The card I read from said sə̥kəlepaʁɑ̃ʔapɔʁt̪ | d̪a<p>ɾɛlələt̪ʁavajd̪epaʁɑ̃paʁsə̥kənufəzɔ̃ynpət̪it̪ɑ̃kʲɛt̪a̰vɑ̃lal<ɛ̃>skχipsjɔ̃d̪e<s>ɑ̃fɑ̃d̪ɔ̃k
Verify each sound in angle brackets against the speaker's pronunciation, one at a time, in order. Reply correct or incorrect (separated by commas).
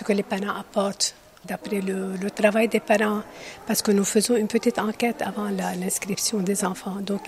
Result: correct, correct, incorrect